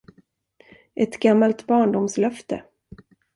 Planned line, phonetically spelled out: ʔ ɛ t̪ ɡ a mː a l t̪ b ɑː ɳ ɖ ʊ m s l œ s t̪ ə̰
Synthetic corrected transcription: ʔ ɛ t̪ ɡ a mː a l t̪ b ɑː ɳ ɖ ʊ m s l œ f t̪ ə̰